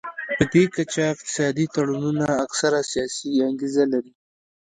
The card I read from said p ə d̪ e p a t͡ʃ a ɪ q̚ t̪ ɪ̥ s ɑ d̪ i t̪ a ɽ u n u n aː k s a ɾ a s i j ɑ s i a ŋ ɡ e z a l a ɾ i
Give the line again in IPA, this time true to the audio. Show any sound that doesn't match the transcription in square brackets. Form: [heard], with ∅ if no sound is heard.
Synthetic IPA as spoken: p ə d̪ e [k] a t͡ʃ a ɪ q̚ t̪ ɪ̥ s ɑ d̪ i t̪ a ɽ u n u n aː k s a ɾ a s i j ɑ s i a ŋ ɡ e z a l a ɾ i

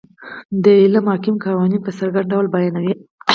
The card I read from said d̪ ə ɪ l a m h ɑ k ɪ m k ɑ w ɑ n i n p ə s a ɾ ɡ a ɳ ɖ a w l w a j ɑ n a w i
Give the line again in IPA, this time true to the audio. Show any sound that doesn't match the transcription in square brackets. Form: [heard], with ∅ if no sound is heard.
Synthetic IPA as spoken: d̪ ə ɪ l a m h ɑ k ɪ m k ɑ w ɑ n i n p ə s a ɾ ɡ a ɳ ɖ a w l [b] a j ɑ n a w i

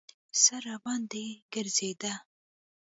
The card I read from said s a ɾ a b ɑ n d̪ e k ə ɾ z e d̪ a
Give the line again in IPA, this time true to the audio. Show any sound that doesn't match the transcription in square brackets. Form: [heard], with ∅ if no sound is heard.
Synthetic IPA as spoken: s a ɾ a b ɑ n d̪ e [ɡ] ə ɾ z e d̪ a

